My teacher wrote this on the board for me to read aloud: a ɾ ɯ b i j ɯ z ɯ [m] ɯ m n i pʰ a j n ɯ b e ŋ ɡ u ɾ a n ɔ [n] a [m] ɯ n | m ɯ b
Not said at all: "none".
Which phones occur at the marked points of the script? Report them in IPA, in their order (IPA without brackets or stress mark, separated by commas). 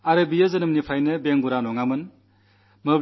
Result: n, ŋ, m